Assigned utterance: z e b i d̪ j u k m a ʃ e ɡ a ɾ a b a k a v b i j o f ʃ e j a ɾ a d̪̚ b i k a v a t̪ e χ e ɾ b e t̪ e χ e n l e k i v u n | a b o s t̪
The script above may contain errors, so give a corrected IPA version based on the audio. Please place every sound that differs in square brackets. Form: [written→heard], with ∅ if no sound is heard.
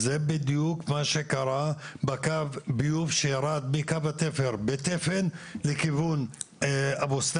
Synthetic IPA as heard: z e b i d̪ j u k m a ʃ e [ɡ→k] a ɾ a b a k a v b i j [o→u] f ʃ e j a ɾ a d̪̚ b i k a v a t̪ e [χ→f] e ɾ b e t̪ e [χ→f] e n l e k i v u n | a b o s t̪